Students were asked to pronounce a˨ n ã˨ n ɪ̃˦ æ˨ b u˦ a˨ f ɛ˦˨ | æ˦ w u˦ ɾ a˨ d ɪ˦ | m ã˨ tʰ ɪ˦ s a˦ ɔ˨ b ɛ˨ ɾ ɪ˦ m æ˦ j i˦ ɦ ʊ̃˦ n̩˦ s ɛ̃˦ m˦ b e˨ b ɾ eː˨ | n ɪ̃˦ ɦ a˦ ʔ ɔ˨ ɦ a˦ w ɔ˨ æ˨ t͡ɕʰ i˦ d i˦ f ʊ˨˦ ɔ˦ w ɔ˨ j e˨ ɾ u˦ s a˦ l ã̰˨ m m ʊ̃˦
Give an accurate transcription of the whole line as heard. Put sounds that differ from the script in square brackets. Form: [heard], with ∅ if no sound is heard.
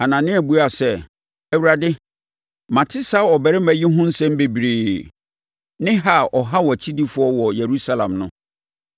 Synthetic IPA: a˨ n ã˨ n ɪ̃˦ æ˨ b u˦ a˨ [s] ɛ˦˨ | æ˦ w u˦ ɾ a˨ d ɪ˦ | m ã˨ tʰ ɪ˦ s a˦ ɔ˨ b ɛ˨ ɾ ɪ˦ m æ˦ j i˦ ɦ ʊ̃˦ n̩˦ s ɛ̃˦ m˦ b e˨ b ɾ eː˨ | n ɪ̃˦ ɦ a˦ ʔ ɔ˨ ɦ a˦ w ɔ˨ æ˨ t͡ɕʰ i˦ d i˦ f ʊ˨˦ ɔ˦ w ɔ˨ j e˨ ɾ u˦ s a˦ l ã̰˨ m [n] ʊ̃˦